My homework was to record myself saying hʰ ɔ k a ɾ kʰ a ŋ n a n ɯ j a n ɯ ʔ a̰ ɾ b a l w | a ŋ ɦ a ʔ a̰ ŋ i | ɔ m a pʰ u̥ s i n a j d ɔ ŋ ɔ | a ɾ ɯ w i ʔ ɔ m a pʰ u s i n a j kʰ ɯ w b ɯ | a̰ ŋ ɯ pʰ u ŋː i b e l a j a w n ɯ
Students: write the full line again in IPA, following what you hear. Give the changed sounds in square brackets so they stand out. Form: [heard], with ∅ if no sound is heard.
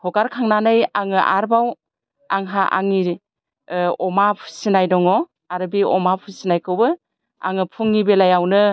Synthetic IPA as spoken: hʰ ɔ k a ɾ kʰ a ŋ n a n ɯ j a [ŋ] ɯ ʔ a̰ ɾ b a [∅] w | a ŋ ɦ a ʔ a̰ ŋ i | ɔ m a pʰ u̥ s i n a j d ɔ ŋ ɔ | a ɾ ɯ [b] i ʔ ɔ m a pʰ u s i n a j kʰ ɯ w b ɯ | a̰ ŋ ɯ pʰ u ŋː i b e l a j a w n ɯ